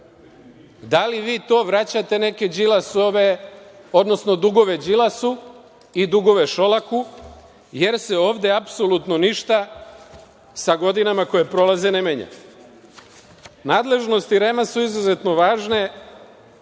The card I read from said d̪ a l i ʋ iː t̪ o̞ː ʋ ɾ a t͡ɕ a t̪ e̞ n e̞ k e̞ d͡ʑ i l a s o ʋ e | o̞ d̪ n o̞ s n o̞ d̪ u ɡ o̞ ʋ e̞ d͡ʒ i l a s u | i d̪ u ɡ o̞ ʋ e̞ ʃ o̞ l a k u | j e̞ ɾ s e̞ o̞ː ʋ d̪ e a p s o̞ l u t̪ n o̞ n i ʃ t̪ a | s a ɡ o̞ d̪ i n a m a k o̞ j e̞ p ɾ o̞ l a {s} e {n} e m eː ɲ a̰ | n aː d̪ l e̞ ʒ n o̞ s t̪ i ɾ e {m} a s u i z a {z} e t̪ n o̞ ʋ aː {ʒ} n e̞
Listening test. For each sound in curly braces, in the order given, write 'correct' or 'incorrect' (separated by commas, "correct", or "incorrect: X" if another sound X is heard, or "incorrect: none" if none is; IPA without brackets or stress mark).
incorrect: z, correct, correct, correct, correct